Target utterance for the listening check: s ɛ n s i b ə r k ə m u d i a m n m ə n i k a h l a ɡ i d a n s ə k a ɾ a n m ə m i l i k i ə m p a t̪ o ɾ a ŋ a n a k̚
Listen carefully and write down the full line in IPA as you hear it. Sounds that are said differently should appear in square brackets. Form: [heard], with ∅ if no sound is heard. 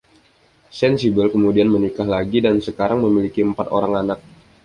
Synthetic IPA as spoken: s ɛ n s i b ə [l] k ə m u d i a [∅] n m ə n i k a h l a ɡ i d a n s ə k a ɾ a [ŋ] m ə m i l i k i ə m p a t̪ o ɾ a ŋ a n a k̚